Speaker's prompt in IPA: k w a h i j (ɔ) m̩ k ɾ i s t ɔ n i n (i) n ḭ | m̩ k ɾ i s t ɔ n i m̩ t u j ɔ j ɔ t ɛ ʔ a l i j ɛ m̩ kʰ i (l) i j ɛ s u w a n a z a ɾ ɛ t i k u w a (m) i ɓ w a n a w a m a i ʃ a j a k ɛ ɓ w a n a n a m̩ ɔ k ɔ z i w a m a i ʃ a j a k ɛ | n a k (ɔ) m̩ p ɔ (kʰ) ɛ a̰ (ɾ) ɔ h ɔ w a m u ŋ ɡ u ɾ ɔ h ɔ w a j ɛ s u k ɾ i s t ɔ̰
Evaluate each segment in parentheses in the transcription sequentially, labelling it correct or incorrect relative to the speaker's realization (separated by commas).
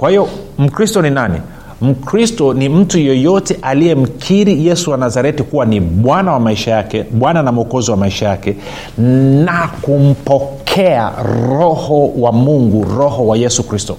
correct, incorrect, incorrect, incorrect, incorrect, correct, correct